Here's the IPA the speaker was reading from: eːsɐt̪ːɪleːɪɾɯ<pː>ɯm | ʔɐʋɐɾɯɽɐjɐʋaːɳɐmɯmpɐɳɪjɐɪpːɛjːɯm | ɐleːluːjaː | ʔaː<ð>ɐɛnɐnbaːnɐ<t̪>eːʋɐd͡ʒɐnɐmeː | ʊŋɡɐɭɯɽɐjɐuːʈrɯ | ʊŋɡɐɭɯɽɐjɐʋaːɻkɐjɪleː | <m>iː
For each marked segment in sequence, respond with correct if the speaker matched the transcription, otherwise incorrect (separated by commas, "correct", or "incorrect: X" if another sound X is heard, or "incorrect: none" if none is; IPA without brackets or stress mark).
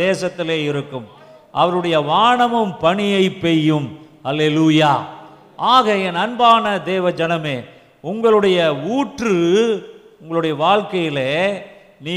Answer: incorrect: kː, incorrect: ɣ, incorrect: d̪, incorrect: n